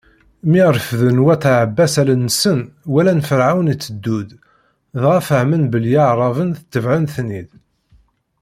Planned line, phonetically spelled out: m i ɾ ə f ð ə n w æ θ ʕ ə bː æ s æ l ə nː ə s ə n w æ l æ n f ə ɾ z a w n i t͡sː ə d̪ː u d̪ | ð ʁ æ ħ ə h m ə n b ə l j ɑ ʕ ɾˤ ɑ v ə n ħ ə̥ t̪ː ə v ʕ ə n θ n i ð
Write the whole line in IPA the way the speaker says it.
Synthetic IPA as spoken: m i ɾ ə f ð ə n w æ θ ʕ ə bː æ s æ l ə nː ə s ə n w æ l æ n f ə ɾ ʕ a w n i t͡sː ə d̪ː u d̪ | ð ʁ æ f ə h m ə n b ə l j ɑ ʕ ɾˤ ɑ v ə n θ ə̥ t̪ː ə v ʕ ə n θ n i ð